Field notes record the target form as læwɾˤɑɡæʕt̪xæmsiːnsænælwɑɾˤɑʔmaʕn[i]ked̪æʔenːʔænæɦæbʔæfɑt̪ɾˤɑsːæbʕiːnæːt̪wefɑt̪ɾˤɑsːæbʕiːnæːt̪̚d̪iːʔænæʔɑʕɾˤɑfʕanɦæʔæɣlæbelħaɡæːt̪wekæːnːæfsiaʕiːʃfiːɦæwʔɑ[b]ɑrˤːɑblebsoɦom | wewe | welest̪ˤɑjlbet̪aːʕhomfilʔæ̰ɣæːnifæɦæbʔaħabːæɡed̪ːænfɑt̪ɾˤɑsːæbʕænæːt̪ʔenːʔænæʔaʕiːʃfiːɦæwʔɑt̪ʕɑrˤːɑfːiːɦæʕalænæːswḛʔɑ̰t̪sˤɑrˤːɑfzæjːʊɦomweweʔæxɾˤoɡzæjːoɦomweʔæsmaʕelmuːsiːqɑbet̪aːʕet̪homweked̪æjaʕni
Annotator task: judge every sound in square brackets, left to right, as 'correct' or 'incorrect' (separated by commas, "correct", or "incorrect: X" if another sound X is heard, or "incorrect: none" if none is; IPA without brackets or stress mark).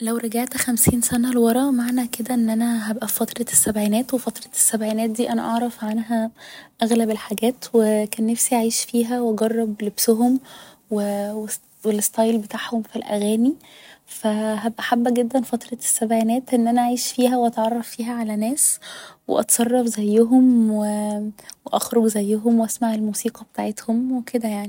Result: incorrect: æ, incorrect: ɡ